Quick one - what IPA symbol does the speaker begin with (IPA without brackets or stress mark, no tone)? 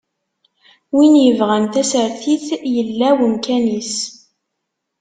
w